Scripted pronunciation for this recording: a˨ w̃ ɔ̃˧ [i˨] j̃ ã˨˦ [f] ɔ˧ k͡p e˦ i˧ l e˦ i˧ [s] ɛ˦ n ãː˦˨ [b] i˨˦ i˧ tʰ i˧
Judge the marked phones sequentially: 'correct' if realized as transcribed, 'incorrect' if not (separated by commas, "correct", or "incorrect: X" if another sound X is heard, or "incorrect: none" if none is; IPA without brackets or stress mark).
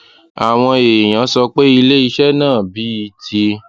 incorrect: e˨, incorrect: s, incorrect: ʃ, correct